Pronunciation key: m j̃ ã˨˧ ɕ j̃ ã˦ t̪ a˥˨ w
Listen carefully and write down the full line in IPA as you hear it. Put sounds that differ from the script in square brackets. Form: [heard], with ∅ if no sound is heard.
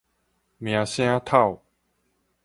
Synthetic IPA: m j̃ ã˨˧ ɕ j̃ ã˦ [t̪ʰ] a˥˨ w